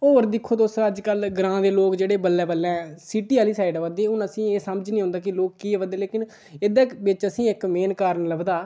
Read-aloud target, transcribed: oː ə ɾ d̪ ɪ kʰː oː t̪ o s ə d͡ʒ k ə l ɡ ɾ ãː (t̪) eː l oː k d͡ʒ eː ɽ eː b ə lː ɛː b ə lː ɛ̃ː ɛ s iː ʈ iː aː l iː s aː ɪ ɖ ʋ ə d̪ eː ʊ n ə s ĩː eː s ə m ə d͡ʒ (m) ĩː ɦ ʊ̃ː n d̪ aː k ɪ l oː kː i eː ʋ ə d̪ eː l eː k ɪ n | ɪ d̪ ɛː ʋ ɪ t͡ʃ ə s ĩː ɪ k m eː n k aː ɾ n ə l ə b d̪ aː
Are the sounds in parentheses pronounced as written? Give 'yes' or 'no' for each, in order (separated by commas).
no, no